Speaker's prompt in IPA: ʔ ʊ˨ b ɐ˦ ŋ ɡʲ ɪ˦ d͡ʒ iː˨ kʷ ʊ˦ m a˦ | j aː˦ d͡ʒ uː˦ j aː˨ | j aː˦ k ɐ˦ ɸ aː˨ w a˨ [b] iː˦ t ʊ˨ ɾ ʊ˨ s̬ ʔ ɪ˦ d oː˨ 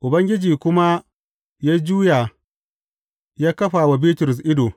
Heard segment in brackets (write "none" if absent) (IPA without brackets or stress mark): b